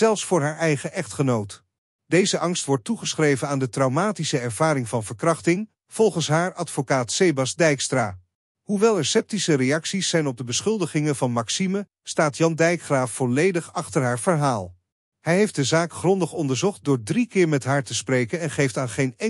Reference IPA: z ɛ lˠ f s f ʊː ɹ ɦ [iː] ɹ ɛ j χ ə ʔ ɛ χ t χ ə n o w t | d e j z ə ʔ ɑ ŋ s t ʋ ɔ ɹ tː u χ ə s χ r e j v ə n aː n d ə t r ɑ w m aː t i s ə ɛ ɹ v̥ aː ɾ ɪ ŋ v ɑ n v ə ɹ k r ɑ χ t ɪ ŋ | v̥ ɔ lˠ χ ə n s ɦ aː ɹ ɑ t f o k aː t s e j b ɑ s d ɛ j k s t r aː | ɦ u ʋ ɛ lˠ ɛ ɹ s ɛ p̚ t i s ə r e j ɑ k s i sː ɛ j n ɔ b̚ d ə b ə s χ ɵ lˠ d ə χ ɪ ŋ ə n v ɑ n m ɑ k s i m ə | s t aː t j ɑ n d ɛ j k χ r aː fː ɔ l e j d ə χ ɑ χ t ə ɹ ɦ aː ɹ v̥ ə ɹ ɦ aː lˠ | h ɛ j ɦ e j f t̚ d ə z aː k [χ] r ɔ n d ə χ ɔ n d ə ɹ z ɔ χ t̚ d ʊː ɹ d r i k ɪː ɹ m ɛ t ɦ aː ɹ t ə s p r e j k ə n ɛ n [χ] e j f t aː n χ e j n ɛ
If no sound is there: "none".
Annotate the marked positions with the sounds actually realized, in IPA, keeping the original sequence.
aː, χ, χ

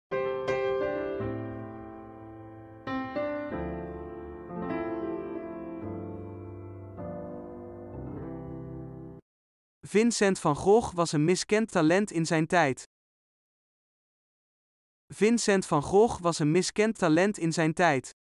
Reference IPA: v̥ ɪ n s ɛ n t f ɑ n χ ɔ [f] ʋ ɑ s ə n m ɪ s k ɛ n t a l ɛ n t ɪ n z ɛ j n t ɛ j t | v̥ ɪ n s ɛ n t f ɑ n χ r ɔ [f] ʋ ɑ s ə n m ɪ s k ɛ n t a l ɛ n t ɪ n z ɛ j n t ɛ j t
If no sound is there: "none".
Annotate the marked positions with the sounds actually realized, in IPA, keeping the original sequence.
χ, χ

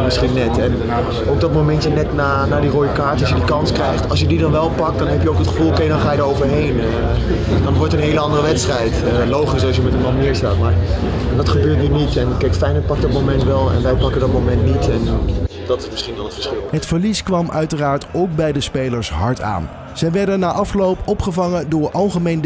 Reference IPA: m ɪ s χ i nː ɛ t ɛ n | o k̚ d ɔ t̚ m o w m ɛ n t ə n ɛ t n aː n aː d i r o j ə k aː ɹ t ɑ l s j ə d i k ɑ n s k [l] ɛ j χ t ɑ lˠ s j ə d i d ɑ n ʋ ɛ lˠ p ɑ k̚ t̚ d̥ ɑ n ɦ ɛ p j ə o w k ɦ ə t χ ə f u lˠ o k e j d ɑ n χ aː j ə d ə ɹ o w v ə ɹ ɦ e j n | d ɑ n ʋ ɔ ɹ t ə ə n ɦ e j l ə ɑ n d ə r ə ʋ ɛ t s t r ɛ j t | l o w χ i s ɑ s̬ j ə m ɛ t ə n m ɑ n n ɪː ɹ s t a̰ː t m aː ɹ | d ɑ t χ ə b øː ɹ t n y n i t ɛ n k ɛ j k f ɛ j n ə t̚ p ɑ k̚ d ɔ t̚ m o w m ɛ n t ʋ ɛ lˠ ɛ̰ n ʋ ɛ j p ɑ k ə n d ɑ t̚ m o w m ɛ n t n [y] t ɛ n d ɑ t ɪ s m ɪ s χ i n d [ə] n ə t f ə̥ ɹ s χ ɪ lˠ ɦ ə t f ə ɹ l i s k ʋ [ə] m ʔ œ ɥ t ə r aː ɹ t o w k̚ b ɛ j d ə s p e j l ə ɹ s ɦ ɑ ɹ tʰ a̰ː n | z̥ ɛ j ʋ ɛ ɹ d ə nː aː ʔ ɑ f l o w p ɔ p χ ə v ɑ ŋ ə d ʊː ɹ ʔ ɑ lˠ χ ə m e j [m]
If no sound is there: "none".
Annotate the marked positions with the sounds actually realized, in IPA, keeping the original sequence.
r, i, ɑ, ɑ, n

